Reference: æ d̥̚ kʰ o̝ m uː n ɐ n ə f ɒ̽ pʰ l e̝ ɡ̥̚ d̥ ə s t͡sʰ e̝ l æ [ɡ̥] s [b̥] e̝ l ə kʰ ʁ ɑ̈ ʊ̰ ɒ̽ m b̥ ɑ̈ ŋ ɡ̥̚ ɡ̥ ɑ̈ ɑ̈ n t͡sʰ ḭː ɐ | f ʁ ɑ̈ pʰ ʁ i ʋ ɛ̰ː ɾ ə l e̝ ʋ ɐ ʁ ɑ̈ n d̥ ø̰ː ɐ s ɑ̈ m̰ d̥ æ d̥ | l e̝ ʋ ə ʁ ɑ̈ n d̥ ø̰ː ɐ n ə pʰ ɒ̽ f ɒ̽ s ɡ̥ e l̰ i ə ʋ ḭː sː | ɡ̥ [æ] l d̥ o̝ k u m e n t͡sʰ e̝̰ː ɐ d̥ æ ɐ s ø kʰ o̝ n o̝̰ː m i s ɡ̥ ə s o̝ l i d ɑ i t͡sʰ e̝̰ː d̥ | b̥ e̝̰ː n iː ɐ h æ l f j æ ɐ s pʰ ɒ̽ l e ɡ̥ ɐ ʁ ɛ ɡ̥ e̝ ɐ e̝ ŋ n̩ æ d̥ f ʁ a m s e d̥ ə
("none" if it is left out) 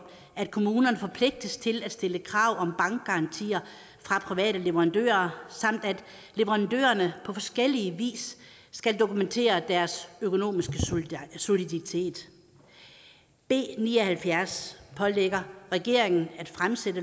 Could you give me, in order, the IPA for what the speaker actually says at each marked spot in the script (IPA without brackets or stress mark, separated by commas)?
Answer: d̥, d̥, æ